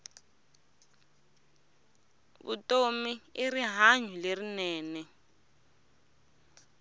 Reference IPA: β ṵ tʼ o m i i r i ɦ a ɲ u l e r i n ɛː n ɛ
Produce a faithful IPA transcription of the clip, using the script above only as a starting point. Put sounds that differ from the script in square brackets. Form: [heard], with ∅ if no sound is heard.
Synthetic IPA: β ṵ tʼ o m i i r i ɦ a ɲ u l e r i n ɛː n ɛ